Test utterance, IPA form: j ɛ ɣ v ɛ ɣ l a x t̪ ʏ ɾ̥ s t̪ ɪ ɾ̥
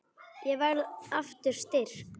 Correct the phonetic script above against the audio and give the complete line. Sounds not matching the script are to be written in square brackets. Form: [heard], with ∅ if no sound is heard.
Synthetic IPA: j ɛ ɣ v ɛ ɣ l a [f] t̪ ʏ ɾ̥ s t̪ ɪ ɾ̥